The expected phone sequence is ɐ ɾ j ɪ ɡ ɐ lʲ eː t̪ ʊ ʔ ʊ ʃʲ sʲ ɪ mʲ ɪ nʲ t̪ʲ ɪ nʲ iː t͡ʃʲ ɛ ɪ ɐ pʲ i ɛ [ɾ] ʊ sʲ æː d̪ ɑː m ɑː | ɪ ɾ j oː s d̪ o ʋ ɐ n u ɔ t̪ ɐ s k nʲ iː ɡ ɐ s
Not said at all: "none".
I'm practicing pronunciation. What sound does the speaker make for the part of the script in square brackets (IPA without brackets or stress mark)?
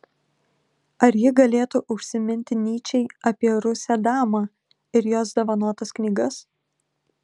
ɾ